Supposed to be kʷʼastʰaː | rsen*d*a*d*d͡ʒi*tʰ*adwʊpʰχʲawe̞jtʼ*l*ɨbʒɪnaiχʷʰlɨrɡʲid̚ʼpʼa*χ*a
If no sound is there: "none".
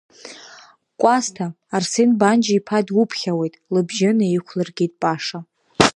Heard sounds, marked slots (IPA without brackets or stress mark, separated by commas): b, n, pʰ, l, ʂ